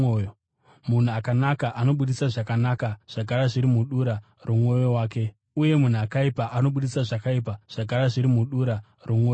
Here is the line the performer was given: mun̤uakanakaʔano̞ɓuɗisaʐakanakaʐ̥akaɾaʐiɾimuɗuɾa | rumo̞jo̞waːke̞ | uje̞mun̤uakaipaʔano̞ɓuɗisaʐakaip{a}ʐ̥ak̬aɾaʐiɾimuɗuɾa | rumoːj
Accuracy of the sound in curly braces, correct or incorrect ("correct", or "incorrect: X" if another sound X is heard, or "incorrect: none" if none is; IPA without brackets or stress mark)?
correct